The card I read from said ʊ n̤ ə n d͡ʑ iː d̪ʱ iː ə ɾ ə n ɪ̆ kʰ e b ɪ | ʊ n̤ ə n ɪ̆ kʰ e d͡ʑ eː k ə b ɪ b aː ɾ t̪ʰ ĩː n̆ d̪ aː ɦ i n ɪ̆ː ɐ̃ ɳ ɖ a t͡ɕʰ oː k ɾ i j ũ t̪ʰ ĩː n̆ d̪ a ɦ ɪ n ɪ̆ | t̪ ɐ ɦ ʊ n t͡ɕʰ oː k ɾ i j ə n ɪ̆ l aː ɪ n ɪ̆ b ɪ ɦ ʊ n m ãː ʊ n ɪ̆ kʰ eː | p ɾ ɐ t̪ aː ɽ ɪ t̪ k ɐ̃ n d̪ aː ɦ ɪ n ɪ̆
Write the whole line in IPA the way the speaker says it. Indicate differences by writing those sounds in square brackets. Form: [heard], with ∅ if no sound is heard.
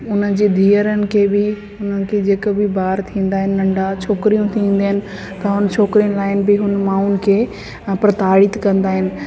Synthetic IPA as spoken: ʊ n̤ ə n d͡ʑ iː d̪ʱ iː ə ɾ ə n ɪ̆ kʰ e b ɪ | ʊ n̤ ə n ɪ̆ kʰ e d͡ʑ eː k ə b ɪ b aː ɾ t̪ʰ ĩː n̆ d̪ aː ɦ [ɪ] n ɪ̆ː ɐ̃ ɳ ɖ a t͡ɕʰ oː k ɾ i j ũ t̪ʰ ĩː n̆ d̪ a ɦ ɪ n ɪ̆ | t̪ ɐ ɦ ʊ n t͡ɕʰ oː k ɾ i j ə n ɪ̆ l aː ɪ n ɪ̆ b ɪ ɦ ʊ n m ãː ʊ n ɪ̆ kʰ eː | p ɾ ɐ t̪ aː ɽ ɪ t̪ k ɐ̃ n d̪ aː ɦ ɪ n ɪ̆